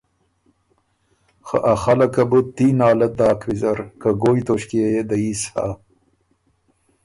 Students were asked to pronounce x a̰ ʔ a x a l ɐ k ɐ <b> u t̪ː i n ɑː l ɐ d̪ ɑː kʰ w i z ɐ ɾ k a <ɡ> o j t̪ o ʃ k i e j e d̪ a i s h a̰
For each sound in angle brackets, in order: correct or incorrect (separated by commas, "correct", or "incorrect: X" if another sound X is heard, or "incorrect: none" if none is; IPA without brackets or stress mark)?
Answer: correct, correct